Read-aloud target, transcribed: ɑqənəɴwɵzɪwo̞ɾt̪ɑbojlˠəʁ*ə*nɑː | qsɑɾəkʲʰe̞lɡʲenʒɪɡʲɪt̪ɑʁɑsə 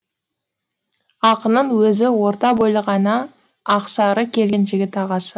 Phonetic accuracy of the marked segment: incorrect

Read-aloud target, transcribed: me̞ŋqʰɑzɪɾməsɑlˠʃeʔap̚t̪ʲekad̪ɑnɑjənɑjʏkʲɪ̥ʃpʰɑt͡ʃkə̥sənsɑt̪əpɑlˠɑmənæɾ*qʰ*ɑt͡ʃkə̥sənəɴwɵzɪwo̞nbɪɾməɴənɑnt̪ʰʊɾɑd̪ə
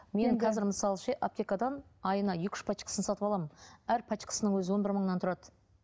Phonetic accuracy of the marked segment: incorrect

